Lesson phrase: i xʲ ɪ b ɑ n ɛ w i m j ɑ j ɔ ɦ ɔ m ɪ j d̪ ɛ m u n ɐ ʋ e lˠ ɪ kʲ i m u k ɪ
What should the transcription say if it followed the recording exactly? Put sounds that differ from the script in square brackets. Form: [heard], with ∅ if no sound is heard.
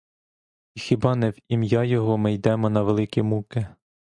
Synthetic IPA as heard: i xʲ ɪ b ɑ n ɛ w i m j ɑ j ɔ ɦ ɔ m ɪ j d̪ ɛ m [ɔ] n ɐ ʋ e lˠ ɪ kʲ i m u k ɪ